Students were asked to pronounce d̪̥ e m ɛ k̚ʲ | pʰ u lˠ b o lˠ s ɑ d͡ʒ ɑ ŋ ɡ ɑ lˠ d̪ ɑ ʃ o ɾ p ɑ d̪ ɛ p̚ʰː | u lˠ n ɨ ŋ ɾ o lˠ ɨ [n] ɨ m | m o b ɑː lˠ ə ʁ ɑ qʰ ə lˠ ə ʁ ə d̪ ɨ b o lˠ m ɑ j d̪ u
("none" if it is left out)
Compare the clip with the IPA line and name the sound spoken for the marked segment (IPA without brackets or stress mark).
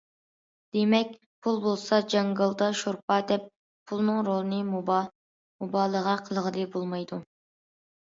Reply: n